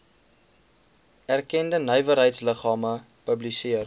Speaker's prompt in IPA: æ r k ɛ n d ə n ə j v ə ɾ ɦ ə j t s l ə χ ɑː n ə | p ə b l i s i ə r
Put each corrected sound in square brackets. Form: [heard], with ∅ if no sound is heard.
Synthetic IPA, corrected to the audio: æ r k ɛ n d ə n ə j v ə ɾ ɦ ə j t s l ə χ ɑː [m] ə | p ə b l i s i ə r